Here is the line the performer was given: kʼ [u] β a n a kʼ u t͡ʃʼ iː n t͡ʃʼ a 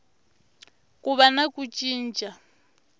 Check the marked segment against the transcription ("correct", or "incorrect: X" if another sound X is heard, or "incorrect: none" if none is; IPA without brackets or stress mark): correct